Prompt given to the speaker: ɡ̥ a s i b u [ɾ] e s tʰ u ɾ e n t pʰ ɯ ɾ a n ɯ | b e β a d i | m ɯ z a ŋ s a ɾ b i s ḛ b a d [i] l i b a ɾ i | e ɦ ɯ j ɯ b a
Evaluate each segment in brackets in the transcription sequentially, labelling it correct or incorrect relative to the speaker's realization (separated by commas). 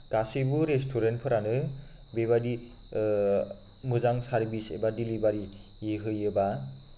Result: correct, correct